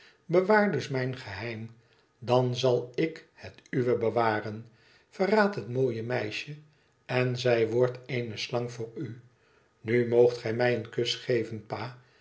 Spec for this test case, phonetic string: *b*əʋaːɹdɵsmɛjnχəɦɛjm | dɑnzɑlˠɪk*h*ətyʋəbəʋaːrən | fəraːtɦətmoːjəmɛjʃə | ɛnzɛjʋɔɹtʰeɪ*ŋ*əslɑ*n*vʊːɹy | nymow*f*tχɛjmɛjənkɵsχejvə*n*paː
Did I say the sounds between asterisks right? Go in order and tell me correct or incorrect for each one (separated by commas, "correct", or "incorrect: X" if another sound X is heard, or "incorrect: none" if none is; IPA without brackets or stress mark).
correct, correct, incorrect: n, incorrect: ŋ, incorrect: χ, correct